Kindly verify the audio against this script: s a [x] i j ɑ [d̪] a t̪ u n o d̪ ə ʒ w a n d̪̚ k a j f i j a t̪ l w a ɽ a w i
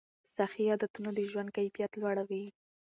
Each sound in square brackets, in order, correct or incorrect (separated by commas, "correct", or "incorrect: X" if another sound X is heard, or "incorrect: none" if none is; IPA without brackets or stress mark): correct, correct